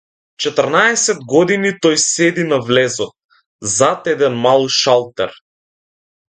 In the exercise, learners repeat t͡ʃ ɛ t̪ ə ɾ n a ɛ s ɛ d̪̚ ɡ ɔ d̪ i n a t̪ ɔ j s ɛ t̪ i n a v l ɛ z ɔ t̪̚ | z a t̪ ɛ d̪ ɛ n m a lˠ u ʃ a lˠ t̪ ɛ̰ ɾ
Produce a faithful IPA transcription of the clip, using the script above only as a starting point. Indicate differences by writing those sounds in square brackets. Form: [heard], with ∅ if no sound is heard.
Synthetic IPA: t͡ʃ ɛ t̪ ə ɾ n a ɛ s ɛ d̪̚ ɡ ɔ d̪ i n [i] t̪ ɔ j s ɛ [d̪] i n a v l ɛ z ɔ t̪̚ | z a t̪ ɛ d̪ ɛ n m a lˠ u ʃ a lˠ t̪ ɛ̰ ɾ